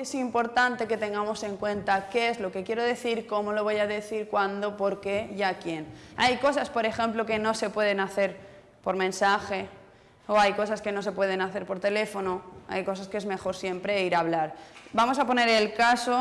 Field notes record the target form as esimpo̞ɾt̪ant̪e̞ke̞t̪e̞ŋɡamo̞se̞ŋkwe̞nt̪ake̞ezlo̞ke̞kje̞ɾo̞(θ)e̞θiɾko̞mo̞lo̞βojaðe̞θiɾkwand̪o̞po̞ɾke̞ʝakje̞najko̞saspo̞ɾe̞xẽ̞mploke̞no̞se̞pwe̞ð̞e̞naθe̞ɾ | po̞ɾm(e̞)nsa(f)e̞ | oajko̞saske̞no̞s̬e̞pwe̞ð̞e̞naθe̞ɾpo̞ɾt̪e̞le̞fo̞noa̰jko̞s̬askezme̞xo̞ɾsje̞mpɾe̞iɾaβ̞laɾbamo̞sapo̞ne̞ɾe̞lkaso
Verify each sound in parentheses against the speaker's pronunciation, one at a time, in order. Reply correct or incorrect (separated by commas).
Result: incorrect, incorrect, incorrect